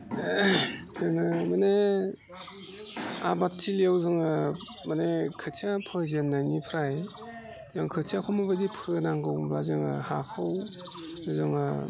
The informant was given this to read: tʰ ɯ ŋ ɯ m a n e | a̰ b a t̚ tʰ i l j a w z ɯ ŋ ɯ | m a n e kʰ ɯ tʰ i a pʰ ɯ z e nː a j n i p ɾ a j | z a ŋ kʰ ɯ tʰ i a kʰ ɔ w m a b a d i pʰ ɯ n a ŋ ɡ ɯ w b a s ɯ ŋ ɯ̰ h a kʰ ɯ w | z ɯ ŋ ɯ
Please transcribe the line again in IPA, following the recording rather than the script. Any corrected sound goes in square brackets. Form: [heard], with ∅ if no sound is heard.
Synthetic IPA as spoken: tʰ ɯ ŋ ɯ m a n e | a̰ b a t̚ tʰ i l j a w z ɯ ŋ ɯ | m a n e kʰ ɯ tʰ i a pʰ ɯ z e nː a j n i [pʰ] ɾ a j | z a ŋ kʰ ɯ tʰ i a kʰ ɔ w m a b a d i pʰ ɯ n a ŋ ɡ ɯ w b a [z] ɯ ŋ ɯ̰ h a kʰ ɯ w | z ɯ ŋ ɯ